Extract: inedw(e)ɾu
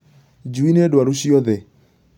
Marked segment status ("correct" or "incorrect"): incorrect